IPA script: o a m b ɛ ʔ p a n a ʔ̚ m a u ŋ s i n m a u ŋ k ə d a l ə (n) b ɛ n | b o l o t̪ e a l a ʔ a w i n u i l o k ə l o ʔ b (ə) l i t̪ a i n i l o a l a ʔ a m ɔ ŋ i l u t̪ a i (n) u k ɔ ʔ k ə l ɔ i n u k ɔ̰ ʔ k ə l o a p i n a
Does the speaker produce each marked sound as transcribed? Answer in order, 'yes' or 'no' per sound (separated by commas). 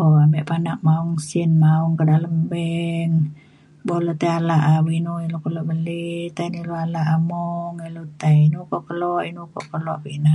no, yes, yes